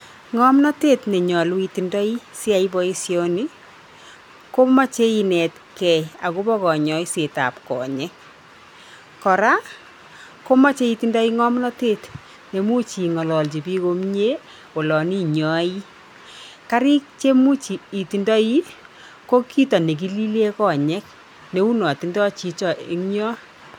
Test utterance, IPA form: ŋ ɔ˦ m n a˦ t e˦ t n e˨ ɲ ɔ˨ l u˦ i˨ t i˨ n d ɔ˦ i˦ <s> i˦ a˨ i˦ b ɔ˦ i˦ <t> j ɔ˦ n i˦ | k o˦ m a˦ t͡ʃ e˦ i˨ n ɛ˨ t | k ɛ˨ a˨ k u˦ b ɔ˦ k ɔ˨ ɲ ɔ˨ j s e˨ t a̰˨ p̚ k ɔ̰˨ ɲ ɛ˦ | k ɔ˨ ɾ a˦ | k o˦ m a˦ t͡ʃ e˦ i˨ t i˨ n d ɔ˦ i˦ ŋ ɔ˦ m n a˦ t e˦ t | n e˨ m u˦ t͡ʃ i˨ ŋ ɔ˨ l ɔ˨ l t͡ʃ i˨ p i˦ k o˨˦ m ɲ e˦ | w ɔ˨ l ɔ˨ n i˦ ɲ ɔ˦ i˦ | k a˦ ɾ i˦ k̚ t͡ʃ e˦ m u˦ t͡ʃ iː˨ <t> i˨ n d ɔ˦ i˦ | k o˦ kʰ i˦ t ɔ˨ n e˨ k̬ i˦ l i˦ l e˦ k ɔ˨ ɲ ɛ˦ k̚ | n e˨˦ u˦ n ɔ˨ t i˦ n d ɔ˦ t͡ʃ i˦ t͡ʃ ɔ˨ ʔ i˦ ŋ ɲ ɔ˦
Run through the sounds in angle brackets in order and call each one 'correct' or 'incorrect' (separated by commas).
correct, incorrect, correct